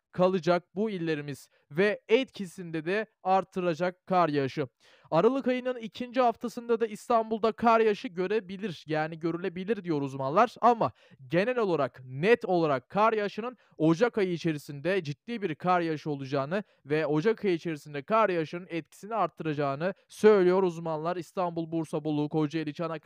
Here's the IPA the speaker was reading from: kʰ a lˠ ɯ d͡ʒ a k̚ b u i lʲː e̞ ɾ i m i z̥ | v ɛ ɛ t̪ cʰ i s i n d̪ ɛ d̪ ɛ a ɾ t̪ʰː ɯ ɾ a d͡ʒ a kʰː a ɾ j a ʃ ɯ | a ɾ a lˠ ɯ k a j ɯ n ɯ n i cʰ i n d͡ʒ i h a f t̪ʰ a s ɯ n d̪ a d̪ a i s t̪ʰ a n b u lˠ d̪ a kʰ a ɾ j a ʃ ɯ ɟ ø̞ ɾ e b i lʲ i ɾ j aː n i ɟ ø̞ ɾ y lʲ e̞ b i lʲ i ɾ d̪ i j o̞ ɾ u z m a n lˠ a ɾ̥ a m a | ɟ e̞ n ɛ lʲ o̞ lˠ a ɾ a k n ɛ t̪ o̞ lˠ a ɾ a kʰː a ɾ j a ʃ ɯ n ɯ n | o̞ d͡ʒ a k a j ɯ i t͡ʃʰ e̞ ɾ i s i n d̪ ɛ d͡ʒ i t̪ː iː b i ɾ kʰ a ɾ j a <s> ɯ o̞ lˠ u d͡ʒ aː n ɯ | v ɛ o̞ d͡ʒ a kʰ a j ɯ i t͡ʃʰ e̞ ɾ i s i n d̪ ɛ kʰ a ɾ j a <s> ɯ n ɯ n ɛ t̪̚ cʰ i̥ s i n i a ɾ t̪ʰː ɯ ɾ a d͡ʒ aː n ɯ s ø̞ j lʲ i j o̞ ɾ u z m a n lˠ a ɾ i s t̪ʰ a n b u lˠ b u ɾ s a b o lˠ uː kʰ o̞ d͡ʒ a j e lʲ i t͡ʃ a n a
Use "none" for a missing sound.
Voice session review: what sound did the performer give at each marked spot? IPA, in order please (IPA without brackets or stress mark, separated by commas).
ʃ, ʃ